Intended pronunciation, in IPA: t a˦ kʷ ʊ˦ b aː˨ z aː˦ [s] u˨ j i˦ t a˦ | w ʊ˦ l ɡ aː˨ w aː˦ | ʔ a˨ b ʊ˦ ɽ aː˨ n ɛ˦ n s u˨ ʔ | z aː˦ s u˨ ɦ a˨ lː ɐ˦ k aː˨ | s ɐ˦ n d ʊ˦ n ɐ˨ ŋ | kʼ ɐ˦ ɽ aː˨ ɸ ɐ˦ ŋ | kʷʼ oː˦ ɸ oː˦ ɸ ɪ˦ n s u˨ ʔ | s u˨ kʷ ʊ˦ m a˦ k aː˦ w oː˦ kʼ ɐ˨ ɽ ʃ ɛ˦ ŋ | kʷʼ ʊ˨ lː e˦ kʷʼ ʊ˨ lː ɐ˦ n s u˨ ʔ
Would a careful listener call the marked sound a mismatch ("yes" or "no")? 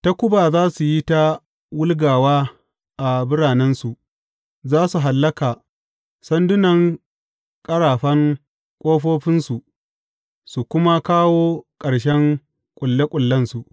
no